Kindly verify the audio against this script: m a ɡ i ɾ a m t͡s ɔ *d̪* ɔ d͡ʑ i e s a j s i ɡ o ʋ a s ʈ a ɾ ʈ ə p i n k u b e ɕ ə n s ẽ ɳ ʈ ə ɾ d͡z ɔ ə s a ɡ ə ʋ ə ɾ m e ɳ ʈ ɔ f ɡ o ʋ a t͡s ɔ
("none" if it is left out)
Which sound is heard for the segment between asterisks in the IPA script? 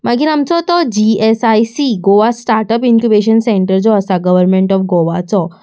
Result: t̪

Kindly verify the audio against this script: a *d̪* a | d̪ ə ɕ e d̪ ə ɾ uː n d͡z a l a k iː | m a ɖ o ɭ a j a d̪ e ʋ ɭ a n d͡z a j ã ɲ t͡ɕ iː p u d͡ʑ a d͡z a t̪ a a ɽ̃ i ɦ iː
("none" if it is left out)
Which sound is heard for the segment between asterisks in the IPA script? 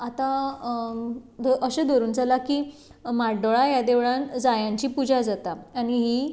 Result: t̪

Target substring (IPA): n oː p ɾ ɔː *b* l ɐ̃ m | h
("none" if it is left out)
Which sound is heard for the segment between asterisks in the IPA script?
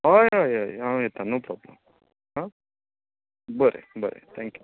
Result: b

